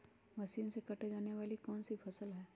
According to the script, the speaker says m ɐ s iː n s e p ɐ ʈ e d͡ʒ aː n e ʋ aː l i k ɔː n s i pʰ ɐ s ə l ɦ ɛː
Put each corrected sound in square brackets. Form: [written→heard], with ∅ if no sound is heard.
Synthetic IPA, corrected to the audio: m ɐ s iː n s e [p→k] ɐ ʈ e d͡ʒ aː n e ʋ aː l i k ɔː n s i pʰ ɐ s ə l ɦ ɛː